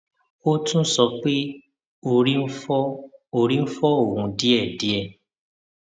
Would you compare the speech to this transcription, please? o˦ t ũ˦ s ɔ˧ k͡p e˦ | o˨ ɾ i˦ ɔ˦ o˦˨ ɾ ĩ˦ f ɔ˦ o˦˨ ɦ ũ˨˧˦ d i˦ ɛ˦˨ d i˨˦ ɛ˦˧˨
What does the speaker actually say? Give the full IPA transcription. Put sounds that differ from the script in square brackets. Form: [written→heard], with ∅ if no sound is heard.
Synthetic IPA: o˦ t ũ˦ s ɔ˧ k͡p e˦ | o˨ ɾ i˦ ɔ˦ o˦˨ ɾ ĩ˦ f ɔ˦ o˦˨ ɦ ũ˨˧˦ d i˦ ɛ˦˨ d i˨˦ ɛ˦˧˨